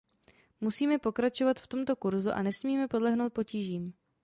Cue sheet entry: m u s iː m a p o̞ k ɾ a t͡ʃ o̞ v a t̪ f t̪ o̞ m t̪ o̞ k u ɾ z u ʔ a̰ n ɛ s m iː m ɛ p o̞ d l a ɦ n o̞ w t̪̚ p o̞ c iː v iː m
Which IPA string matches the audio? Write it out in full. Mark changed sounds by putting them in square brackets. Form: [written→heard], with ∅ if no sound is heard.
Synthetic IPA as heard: m u s iː m [a→ɛ] p o̞ k ɾ a t͡ʃ o̞ v a t̪ f t̪ o̞ m t̪ o̞ k u ɾ z u ʔ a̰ n ɛ s m iː m ɛ p o̞ d l [a→ɛ] ɦ n o̞ w t̪̚ p o̞ c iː [v→ʒ] iː m